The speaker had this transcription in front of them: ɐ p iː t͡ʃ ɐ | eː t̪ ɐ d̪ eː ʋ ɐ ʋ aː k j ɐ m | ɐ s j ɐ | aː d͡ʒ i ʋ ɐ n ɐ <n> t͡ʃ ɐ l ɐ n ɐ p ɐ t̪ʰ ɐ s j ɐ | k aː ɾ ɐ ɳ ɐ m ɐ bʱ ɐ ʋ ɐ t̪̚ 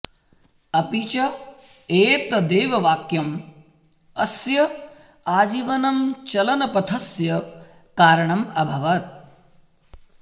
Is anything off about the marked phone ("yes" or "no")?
yes